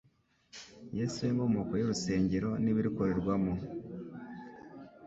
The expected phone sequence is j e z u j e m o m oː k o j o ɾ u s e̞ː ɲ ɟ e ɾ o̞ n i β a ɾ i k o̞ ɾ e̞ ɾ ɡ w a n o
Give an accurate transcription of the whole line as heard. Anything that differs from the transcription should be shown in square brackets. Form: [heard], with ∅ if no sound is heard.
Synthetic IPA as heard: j e [s] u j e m o m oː k o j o ɾ u s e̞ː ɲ ɟ e ɾ o̞ n i β [i] ɾ i k o̞ ɾ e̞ ɾ ɡ w a [m] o